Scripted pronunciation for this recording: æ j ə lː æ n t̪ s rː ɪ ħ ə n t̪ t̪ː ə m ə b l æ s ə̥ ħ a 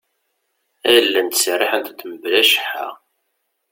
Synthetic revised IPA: æ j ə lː æ n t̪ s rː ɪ ħ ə n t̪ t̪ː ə m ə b l æ ʃ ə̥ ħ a